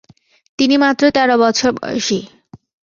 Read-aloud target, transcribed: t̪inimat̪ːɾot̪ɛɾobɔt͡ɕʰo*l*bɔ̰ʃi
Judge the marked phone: incorrect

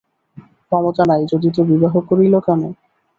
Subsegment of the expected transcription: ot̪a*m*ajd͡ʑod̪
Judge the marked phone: incorrect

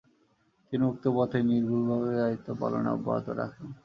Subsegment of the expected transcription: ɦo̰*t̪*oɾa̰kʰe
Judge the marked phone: correct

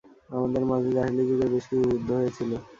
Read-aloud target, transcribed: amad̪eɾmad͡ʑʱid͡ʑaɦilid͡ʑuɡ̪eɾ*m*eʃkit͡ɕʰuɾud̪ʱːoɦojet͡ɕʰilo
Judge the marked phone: incorrect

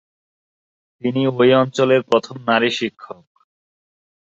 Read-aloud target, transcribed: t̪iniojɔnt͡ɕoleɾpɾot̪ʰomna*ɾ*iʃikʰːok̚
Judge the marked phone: correct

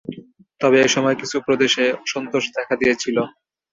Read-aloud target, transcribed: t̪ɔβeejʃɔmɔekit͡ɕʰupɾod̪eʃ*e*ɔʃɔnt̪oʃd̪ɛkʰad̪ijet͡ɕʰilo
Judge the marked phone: correct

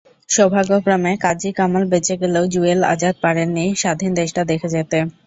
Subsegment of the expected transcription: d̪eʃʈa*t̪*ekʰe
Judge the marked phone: incorrect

